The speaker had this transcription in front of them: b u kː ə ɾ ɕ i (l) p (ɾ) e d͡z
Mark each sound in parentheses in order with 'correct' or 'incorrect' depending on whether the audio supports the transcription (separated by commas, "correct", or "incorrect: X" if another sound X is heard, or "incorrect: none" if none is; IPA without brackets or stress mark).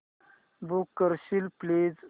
correct, incorrect: l